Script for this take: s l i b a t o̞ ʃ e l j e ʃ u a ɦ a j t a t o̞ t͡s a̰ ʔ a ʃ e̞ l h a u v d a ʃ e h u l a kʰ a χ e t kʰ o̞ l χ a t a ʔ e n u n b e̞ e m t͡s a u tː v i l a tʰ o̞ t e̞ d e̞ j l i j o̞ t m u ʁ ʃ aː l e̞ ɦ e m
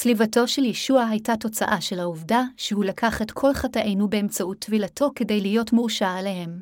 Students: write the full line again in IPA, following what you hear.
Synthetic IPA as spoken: s l i v a t o̞ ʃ e l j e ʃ u a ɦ a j t a t o̞ t͡s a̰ ʔ a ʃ e̞ l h a u v d a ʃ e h u l a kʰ a χ e t kʰ o̞ l χ a t a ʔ e n u b e̞ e m t͡s a u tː v i l a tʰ o̞ k e̞ d e̞ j l i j o̞ t m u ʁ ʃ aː l e̞ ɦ e m